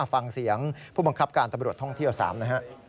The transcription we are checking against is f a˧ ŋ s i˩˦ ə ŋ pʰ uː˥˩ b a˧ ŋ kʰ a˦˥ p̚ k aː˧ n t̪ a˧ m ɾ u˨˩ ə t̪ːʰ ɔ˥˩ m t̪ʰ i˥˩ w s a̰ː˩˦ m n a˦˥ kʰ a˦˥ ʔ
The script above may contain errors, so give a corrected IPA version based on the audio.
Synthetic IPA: f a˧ ŋ s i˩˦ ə ŋ pʰ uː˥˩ b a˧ ŋ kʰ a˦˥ p̚ k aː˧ n t̪ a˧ m ɾ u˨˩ ə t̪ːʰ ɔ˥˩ ŋ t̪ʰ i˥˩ w s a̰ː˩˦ m n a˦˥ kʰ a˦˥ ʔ